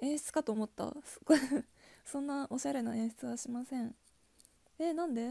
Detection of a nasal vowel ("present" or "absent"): present